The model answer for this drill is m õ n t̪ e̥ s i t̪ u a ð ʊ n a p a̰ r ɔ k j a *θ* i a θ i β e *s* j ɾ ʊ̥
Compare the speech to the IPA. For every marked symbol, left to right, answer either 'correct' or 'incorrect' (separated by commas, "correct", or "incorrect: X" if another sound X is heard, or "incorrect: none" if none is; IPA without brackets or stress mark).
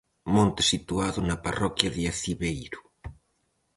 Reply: incorrect: ð, incorrect: none